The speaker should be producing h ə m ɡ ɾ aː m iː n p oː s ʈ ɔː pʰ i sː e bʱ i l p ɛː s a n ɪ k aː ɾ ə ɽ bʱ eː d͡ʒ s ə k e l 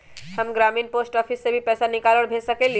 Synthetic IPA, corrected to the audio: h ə m ɡ ɾ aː m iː n p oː s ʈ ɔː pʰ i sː e bʱ i p ɛː s a n ɪ k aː l ə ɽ bʱ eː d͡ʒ s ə k e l